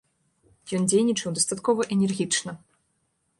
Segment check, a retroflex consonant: present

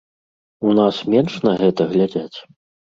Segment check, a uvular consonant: absent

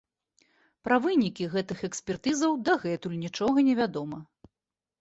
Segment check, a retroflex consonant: present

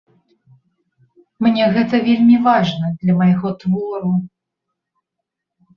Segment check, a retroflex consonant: present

